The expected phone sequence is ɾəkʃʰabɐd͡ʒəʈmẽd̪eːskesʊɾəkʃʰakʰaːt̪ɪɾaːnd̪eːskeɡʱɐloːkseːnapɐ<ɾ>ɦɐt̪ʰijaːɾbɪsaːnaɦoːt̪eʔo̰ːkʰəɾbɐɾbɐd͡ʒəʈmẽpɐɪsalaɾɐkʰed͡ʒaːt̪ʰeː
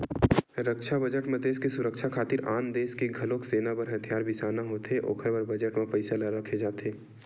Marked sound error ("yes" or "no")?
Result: no